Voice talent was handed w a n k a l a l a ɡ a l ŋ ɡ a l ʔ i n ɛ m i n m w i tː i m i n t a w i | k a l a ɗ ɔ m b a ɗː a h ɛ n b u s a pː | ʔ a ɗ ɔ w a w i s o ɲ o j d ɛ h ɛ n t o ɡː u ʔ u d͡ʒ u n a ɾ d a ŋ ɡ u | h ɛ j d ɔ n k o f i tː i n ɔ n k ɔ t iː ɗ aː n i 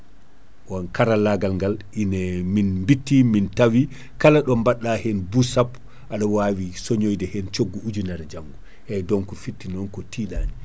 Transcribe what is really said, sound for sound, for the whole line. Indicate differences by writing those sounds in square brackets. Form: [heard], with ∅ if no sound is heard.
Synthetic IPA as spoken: w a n k a [ɾ] a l a ɡ a l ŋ ɡ a l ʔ i n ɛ m i n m [b] i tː i m i n t a w i | k a l a ɗ ɔ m b a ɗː a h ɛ n b u s a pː | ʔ a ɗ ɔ w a w i s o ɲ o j d ɛ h ɛ n [t͡ʃ] o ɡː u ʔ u d͡ʒ u n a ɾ [d͡ʒ] a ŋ ɡ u | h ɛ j d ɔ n k [ɔ] f i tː i n ɔ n k ɔ t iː ɗ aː n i